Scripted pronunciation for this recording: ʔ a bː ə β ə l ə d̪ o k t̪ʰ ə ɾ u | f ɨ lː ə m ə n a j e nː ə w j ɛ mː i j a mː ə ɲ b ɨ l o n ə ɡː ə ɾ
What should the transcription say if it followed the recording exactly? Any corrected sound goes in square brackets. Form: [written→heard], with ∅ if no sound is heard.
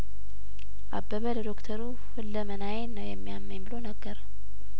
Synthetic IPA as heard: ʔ a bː ə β ə l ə d̪ o k t̪ʰ ə ɾ u | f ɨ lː ə m ə n a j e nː ə w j ɛ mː i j a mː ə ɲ b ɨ l o n ə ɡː ə ɾ